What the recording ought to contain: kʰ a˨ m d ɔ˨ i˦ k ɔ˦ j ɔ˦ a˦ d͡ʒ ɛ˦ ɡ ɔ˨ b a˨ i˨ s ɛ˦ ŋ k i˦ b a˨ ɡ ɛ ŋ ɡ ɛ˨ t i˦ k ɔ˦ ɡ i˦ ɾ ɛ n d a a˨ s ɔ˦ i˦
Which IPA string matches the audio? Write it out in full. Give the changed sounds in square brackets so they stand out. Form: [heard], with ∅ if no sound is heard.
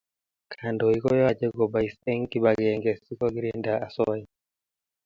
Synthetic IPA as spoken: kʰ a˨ [n] d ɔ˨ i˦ k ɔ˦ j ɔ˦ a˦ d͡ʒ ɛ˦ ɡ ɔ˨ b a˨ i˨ s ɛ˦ ŋ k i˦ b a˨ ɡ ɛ ŋ ɡ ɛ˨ [s] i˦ k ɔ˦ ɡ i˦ ɾ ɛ n d a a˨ s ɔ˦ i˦